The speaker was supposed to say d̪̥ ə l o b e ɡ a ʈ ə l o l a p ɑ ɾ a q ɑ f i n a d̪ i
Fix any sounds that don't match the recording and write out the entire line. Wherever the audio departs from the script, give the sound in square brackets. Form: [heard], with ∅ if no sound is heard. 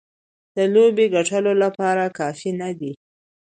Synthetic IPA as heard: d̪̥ ə l o b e ɡ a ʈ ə l o l a p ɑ ɾ a [k] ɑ f i n a d̪ i